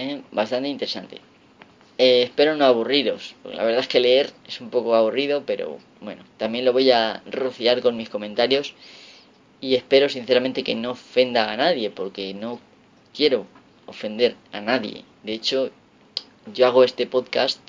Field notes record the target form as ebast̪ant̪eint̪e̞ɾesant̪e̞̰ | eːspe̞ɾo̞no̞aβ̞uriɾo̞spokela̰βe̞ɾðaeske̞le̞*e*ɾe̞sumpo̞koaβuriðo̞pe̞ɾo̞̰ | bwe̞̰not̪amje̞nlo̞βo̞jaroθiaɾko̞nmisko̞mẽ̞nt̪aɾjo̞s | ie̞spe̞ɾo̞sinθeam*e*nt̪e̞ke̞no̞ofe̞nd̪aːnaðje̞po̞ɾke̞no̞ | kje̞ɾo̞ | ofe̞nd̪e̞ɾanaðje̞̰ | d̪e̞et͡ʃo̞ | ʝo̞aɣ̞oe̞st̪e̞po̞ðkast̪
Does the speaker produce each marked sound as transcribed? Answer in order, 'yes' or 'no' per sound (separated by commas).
yes, no